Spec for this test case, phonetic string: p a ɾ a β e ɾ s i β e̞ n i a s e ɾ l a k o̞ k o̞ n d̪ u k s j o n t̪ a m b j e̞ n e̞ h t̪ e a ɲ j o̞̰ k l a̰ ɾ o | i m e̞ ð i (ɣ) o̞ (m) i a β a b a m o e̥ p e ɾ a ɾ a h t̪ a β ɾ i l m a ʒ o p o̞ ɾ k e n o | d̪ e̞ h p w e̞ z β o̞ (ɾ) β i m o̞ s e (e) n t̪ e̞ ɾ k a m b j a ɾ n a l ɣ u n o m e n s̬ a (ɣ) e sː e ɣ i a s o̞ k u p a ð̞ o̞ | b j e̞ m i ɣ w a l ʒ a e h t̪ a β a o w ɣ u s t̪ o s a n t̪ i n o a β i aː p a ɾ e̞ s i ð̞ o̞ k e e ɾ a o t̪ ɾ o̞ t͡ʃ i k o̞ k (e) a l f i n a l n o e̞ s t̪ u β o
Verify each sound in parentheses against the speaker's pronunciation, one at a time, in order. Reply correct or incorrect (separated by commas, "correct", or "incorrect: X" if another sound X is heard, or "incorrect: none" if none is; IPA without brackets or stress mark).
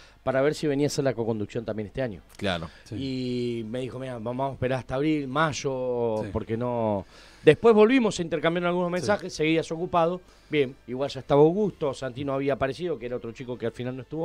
incorrect: x, correct, incorrect: l, incorrect: i, incorrect: x, correct